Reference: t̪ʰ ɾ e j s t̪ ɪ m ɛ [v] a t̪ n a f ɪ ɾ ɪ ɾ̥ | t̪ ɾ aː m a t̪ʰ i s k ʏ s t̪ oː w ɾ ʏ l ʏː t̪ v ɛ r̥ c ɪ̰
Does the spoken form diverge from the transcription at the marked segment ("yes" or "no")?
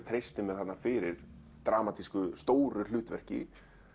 yes